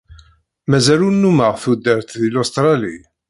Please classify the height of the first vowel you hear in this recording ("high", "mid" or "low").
low